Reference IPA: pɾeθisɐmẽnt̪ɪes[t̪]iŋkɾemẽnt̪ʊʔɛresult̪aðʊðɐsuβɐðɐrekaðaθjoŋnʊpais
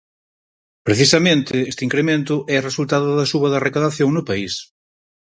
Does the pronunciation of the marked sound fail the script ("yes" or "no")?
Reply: no